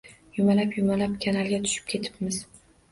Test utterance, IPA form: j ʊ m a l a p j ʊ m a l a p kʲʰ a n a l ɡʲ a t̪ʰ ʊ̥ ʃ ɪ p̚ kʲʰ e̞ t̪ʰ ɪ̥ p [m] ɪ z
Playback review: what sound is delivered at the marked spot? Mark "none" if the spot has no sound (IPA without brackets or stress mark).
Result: m